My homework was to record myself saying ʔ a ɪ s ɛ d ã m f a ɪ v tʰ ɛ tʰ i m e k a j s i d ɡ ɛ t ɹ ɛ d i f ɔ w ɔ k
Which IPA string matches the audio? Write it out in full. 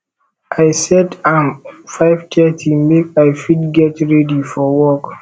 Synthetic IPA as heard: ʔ a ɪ s ɛ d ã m f a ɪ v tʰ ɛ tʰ i m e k a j f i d ɡ ɛ t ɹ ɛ d i f ɔ w ɔ k